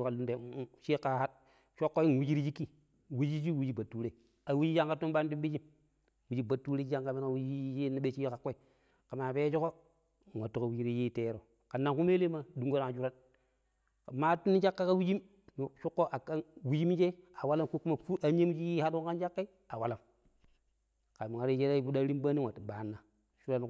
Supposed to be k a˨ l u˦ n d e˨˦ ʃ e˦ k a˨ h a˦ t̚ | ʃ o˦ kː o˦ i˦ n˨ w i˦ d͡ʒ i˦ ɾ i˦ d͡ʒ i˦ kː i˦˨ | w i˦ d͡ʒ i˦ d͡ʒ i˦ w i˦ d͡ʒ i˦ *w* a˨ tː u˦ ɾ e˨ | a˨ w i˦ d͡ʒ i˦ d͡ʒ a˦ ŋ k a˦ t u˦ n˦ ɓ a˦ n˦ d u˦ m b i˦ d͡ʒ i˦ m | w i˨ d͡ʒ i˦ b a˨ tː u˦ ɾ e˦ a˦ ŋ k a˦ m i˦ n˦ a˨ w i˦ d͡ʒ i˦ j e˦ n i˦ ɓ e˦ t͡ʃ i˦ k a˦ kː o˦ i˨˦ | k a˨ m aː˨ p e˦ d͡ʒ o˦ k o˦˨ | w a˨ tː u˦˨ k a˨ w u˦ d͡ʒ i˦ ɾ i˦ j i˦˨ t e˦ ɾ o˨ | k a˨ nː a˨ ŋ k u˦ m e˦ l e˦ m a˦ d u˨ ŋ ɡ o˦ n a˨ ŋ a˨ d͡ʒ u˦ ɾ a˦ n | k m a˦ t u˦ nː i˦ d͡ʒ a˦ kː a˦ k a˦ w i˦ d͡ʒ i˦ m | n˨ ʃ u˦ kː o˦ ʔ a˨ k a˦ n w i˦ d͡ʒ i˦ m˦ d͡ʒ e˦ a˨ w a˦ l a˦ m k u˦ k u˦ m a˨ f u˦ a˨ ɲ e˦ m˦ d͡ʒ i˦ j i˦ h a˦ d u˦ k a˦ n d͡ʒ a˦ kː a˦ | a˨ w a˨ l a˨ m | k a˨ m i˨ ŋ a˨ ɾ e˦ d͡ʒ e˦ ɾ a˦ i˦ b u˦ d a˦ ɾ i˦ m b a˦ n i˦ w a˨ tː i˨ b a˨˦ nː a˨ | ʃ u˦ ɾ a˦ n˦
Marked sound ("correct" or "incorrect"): incorrect